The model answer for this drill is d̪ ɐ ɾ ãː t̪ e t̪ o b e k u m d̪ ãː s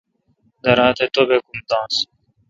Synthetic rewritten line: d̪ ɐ ɾ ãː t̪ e t̪ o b e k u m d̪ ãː s